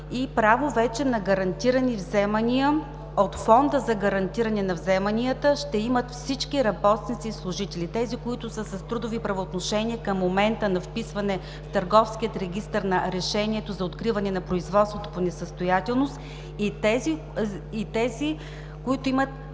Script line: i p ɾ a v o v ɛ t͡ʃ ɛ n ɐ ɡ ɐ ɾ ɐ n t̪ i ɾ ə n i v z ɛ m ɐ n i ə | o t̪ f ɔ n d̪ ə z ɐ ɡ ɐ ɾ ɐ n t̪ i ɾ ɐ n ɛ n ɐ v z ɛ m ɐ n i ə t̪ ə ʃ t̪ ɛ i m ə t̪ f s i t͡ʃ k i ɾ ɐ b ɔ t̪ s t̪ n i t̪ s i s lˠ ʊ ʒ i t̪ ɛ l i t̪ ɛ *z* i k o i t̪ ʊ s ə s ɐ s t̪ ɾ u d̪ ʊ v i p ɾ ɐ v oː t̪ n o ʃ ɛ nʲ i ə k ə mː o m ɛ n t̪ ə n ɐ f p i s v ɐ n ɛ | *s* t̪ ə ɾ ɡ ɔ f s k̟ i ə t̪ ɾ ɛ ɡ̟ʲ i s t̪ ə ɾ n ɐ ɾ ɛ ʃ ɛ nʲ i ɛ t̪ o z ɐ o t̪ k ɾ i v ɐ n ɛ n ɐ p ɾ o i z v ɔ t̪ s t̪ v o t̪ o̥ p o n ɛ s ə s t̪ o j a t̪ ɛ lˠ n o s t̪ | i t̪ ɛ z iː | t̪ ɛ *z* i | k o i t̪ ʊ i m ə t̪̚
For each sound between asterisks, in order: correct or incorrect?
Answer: correct, incorrect: f, correct

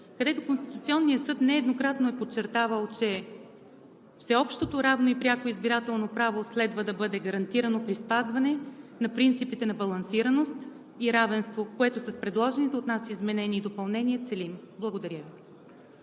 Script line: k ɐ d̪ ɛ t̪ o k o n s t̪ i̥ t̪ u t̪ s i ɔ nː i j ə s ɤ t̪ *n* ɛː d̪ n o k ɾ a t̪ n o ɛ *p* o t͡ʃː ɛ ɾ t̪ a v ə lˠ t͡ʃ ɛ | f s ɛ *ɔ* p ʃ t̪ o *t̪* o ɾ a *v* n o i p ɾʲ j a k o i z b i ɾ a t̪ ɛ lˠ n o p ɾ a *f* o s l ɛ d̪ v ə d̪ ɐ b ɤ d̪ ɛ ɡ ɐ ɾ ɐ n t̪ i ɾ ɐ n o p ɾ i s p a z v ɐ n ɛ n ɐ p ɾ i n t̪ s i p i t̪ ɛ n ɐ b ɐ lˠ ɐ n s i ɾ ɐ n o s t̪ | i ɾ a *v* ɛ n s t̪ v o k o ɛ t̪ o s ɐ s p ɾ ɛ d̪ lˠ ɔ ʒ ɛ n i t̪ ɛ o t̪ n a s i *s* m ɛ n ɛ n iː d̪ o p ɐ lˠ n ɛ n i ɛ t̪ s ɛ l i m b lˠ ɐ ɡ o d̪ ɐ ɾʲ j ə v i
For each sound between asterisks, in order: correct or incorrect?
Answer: correct, correct, correct, correct, correct, incorrect: v, correct, incorrect: z

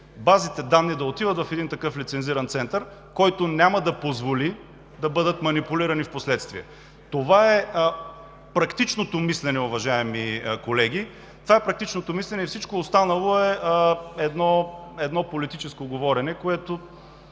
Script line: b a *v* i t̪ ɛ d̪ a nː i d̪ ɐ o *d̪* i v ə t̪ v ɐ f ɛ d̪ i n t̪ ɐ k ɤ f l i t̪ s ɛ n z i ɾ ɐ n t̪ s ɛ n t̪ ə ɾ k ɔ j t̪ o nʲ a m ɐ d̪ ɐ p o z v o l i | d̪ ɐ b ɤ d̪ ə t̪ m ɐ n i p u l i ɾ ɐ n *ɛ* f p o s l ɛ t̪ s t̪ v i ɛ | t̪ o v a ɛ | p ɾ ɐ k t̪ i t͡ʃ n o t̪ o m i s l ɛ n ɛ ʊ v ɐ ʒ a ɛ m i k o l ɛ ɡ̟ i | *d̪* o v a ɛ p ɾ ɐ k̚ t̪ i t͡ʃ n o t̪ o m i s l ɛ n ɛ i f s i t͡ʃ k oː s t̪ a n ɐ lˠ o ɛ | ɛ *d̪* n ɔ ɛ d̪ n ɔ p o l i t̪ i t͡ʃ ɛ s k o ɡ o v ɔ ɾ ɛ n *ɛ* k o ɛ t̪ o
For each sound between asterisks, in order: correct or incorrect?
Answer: incorrect: z, incorrect: t̪, incorrect: i, incorrect: t̪, correct, correct

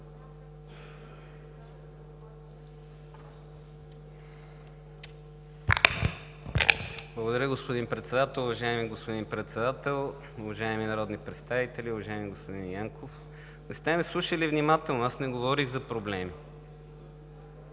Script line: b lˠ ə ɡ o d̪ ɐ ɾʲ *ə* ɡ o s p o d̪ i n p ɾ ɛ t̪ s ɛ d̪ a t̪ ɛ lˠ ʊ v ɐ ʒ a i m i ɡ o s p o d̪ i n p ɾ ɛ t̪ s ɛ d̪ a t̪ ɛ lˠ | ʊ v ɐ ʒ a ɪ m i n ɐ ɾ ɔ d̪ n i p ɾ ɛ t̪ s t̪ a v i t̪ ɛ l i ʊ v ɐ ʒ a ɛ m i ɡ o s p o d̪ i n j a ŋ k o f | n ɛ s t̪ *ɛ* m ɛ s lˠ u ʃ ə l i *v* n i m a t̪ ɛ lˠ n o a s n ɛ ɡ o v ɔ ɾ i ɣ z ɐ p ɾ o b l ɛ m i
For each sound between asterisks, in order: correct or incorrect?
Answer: correct, correct, correct

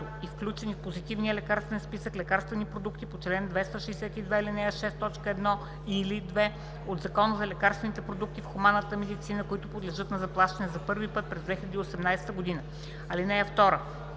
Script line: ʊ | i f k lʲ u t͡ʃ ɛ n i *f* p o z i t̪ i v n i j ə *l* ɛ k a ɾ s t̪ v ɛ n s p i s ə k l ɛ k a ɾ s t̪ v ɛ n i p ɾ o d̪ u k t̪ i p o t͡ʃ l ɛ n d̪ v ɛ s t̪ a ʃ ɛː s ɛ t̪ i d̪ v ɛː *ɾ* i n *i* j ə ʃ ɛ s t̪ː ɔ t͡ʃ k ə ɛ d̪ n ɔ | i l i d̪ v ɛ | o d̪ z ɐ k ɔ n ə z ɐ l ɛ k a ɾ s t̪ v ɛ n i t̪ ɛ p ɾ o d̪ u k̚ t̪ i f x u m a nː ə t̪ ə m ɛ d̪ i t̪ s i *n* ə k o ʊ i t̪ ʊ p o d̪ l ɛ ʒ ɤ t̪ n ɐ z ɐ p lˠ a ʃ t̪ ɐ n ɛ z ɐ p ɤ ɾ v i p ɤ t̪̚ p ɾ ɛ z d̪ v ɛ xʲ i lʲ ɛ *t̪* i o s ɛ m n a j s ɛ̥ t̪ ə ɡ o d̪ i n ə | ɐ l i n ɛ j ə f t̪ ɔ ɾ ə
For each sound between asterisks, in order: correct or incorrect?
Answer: correct, correct, incorrect: l, incorrect: ɛ, correct, incorrect: d̪

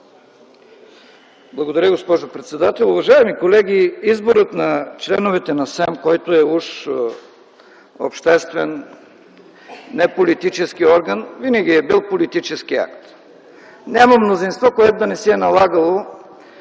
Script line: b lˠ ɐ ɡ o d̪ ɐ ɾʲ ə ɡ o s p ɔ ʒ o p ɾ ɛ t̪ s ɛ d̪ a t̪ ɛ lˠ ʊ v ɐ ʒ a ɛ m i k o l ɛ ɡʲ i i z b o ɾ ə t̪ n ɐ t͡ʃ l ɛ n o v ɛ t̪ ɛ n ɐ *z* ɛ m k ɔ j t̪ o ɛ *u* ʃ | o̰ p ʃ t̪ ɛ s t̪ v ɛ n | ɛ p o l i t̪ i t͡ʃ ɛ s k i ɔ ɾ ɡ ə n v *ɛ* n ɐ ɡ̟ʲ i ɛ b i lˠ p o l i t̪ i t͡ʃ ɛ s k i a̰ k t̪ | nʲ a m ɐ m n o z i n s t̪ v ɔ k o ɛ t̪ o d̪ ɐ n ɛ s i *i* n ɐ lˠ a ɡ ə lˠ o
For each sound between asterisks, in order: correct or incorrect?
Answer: incorrect: s, correct, incorrect: i, incorrect: ɛ

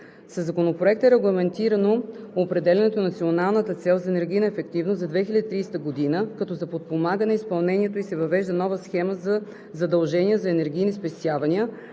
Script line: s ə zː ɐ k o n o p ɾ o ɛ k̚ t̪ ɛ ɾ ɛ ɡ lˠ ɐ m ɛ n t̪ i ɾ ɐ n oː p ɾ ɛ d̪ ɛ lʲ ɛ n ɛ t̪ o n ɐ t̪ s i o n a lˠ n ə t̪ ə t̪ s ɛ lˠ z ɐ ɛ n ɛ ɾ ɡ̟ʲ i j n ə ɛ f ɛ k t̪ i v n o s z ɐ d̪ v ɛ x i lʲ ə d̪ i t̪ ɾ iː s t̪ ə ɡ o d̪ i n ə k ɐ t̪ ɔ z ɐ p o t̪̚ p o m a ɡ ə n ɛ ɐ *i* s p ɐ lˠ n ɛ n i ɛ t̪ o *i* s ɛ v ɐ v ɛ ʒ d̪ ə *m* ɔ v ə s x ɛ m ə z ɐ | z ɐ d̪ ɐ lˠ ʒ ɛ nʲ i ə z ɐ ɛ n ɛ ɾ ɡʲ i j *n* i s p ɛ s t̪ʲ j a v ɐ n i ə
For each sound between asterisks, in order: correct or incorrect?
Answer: correct, correct, incorrect: n, correct

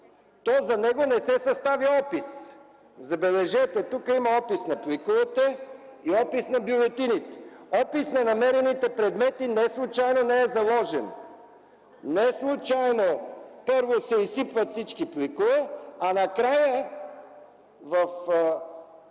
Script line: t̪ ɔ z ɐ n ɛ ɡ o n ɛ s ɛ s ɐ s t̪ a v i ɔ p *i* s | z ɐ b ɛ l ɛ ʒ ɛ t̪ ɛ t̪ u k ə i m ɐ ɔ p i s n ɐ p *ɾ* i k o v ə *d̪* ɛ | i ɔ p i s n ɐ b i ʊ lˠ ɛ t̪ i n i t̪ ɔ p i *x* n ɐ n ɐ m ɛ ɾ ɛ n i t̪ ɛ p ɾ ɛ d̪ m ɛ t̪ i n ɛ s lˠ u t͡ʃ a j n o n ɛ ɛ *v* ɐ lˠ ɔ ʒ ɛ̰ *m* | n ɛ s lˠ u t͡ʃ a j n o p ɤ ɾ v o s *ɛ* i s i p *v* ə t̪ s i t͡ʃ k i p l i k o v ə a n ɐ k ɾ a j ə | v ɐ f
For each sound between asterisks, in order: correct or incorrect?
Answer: correct, incorrect: l, incorrect: t̪, incorrect: s, incorrect: z, incorrect: n, correct, correct

